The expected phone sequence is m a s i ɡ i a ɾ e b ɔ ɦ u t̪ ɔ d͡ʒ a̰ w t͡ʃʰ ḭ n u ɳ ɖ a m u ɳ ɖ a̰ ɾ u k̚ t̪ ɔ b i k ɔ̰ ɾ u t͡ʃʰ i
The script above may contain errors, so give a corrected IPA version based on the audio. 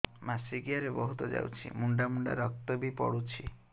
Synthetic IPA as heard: m a s i ɡ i a ɾ e b ɔ ɦ u t̪ ɔ d͡ʒ a̰ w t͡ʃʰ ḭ m u ɳ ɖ a m u ɳ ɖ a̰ ɾ ɔ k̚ t̪ ɔ b i p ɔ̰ ɽ u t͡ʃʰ i